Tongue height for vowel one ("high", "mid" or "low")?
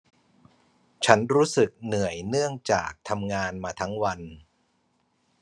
low